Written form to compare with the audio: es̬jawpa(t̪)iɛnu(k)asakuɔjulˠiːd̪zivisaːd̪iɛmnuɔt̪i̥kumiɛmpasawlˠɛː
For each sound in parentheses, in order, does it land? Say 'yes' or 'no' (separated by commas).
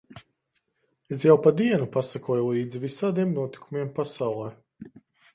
no, no